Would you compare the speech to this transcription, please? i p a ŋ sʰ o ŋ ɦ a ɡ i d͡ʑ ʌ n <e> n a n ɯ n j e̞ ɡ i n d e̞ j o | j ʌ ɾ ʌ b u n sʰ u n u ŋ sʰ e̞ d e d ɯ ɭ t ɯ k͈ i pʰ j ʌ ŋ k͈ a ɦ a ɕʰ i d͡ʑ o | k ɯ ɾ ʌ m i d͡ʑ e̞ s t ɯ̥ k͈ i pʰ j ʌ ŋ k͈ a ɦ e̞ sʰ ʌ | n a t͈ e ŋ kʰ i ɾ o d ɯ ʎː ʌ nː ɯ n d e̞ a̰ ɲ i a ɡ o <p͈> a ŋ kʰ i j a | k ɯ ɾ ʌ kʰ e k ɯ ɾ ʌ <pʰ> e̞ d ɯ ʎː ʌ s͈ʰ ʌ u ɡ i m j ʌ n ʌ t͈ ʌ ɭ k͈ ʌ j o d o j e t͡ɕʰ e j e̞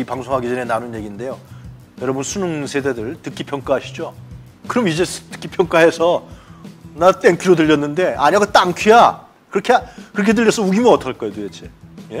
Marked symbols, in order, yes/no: yes, no, no

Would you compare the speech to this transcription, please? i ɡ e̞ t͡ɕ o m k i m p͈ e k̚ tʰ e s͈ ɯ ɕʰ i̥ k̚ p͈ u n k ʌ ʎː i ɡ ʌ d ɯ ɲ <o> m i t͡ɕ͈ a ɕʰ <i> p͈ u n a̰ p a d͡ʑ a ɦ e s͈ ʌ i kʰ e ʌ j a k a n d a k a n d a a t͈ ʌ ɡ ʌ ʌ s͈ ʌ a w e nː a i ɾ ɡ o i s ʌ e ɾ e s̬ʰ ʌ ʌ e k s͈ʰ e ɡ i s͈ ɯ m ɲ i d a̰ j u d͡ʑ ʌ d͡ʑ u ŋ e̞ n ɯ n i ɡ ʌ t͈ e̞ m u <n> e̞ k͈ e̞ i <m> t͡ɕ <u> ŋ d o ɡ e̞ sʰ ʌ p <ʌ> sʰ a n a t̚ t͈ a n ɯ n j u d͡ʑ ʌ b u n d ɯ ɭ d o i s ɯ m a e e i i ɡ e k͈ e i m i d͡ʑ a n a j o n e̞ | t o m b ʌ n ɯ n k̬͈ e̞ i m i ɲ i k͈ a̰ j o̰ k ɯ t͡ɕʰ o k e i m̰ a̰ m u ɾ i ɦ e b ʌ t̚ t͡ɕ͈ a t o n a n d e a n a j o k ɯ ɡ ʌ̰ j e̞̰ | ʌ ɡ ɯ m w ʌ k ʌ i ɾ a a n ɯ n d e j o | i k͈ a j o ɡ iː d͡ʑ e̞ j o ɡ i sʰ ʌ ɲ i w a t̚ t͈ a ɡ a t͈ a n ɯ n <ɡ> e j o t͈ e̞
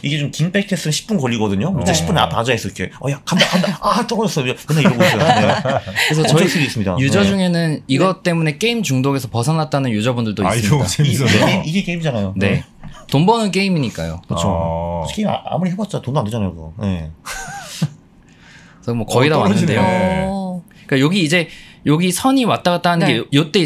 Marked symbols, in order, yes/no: yes, yes, yes, yes, yes, yes, yes

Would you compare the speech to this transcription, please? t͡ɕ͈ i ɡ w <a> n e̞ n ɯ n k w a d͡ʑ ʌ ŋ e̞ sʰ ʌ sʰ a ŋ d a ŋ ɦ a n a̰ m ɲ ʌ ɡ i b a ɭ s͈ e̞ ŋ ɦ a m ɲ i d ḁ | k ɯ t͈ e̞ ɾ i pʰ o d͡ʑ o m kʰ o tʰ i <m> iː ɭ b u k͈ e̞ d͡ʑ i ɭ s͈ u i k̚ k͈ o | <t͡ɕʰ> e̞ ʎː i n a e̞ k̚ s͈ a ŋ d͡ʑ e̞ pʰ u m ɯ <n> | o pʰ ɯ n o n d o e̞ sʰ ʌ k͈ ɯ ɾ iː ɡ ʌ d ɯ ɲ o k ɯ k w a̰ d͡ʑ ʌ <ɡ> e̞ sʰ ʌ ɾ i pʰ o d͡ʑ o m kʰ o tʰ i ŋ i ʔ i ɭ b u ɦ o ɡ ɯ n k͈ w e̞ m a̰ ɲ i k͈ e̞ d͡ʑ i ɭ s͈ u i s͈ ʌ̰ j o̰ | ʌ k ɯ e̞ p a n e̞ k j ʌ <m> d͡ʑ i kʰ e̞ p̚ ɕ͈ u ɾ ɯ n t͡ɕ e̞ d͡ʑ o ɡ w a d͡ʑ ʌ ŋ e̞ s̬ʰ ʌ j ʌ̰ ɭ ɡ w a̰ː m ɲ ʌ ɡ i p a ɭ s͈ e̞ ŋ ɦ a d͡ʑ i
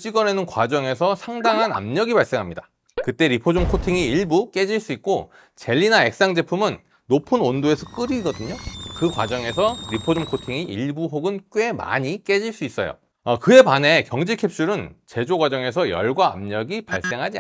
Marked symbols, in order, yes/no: no, no, no, no, no, no

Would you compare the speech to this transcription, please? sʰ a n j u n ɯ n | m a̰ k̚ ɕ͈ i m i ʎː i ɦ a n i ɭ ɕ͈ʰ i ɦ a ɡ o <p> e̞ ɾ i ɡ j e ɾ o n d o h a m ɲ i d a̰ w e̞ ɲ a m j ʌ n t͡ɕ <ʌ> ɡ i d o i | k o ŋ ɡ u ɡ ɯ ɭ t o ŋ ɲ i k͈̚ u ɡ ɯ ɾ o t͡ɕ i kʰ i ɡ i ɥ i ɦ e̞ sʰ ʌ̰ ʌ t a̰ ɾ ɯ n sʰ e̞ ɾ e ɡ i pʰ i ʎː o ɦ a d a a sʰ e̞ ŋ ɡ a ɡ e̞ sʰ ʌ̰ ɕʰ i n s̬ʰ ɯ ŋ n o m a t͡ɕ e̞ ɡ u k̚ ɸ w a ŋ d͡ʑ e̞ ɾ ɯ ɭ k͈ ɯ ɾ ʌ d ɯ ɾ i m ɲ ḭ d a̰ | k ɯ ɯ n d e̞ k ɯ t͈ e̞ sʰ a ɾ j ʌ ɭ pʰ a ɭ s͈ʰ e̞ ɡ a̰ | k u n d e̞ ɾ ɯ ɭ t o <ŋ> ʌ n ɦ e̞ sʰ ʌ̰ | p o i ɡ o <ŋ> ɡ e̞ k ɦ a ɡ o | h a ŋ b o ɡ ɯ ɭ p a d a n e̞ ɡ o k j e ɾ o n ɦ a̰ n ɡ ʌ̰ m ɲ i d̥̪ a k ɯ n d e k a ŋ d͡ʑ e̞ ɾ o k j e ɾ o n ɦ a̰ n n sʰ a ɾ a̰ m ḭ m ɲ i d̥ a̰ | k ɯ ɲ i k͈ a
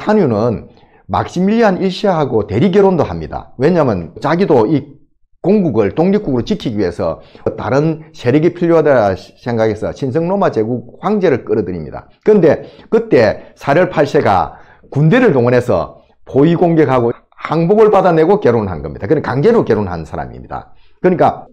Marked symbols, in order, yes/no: no, no, yes, yes

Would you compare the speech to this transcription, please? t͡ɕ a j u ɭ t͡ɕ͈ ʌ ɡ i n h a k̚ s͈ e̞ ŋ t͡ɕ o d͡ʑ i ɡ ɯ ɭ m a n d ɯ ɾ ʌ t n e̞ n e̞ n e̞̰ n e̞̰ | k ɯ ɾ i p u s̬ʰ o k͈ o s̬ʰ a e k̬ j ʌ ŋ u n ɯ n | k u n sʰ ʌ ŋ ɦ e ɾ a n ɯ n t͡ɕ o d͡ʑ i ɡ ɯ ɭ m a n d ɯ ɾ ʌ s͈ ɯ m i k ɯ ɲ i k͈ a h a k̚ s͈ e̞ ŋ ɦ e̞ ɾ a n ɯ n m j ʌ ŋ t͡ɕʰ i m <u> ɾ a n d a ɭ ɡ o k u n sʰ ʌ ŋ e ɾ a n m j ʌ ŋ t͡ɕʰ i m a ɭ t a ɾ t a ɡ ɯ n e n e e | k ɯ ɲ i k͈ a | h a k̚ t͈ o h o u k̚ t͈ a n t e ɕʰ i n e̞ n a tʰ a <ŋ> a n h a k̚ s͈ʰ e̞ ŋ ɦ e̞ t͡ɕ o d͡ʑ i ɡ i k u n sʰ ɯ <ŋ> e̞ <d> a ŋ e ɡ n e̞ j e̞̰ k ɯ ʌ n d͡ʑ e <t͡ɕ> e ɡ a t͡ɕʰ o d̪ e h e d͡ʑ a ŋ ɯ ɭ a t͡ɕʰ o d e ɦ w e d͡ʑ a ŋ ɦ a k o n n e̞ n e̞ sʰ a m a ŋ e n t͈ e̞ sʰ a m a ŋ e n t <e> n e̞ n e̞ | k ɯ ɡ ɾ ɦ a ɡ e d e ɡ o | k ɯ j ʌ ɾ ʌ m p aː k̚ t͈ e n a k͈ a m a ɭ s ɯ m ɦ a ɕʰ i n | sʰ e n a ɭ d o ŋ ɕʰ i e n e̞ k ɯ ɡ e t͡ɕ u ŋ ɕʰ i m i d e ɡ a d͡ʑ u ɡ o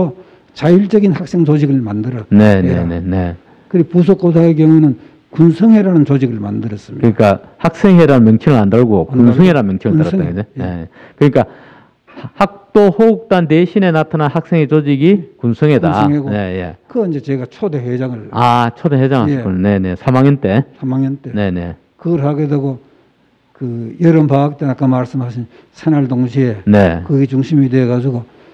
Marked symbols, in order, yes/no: no, no, yes, yes, yes, yes

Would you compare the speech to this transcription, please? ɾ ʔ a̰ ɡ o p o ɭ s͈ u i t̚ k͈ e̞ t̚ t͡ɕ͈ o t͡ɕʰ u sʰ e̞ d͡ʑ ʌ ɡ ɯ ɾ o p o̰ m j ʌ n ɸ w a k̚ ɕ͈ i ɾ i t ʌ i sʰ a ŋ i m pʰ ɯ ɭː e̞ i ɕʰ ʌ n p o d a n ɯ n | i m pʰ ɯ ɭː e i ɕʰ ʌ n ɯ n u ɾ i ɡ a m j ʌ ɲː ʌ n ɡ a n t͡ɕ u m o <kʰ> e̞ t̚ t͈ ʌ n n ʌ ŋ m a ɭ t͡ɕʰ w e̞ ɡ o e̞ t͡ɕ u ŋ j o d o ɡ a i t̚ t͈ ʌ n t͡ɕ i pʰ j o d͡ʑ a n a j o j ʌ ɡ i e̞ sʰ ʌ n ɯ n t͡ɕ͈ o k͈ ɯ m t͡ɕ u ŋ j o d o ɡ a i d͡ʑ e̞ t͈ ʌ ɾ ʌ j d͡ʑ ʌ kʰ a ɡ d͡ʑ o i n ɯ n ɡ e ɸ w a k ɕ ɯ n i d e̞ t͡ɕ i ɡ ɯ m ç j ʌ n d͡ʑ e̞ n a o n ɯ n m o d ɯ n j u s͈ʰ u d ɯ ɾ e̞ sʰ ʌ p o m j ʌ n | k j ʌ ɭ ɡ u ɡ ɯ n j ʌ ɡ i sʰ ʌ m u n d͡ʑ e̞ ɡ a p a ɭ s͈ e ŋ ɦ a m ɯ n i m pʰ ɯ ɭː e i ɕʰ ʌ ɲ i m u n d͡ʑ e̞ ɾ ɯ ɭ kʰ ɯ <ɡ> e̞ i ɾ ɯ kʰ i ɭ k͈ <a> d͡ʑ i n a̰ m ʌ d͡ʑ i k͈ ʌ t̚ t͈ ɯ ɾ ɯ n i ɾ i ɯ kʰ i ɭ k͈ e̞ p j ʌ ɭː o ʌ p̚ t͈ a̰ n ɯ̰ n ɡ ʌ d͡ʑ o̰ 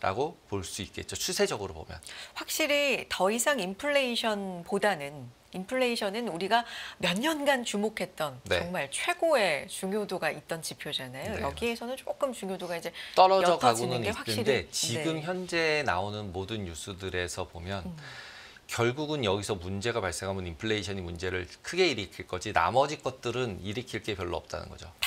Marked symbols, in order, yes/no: yes, yes, no

